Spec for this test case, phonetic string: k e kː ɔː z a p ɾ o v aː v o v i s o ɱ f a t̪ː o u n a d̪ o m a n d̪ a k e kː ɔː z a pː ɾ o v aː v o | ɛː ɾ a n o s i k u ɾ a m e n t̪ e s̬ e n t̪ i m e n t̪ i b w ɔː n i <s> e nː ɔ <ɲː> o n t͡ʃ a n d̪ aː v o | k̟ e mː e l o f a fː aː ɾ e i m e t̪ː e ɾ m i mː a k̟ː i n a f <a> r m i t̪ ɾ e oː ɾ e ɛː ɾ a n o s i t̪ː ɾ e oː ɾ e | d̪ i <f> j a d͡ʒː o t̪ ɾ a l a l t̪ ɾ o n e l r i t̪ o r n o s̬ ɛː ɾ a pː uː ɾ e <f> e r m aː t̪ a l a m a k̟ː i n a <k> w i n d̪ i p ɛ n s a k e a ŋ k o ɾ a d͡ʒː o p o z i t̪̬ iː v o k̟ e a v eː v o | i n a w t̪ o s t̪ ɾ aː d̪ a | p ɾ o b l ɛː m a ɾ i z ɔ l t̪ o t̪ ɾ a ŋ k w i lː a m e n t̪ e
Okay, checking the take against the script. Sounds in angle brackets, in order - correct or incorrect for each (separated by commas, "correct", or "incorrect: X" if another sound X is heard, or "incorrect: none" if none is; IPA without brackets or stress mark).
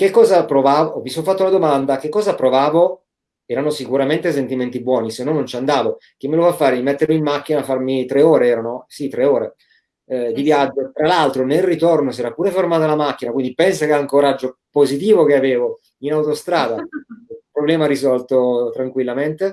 correct, incorrect: nː, correct, incorrect: v, correct, correct